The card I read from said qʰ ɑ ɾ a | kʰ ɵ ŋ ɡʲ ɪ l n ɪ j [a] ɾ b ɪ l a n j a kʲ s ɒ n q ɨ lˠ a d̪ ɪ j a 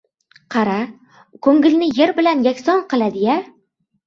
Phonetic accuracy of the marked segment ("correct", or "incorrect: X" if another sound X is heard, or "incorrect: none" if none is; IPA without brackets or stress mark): incorrect: e